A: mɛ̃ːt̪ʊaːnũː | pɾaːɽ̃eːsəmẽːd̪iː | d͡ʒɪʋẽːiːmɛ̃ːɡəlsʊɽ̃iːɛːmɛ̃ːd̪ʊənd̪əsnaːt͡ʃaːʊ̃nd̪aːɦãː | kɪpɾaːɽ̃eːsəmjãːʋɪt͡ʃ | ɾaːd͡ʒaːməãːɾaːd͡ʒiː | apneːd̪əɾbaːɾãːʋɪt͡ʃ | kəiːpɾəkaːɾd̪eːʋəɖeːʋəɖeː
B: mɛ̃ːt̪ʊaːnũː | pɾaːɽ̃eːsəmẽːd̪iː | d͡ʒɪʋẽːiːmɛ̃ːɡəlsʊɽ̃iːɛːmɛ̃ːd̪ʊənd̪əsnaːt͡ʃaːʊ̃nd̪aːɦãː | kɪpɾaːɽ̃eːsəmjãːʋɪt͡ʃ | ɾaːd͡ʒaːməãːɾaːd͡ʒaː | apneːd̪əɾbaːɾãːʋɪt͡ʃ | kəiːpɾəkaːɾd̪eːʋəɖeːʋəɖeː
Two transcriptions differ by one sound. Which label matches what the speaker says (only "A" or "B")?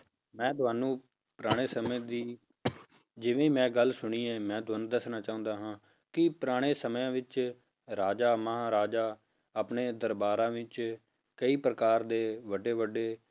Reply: B